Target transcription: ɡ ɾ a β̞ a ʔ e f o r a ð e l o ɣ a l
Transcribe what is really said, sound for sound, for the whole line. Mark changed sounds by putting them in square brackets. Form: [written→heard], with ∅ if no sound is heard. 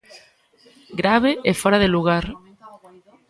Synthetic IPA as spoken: ɡ ɾ a β̞ [a→e] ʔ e f o [r→ɾ] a ð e l [o→u] ɣ a [l→ɾ]